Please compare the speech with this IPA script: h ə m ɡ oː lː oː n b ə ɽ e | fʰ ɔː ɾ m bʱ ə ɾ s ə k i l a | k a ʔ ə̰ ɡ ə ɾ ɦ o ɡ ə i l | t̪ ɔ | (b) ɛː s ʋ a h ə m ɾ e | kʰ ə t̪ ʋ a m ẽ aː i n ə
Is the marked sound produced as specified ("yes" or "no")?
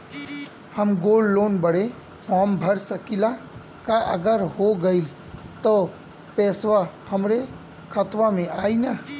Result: no